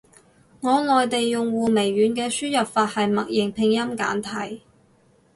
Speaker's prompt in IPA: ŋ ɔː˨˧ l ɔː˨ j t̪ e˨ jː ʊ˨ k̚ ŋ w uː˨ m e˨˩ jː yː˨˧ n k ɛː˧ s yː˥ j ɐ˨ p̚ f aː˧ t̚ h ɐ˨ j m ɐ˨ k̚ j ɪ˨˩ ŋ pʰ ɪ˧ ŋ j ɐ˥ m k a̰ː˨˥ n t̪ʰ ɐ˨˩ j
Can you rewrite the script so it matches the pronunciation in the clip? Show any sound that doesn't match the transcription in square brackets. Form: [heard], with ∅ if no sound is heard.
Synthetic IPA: ŋ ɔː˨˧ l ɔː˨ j t̪ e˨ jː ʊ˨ [∅] ŋ w uː˨ m e˨˩ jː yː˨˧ n k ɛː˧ s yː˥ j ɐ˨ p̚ f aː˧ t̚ h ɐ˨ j m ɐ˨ k̚ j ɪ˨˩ ŋ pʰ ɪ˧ ŋ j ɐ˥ m k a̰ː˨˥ n t̪ʰ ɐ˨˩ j